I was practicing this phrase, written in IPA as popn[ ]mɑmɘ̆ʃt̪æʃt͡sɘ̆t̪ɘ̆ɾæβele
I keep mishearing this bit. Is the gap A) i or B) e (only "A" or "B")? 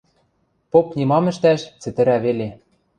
A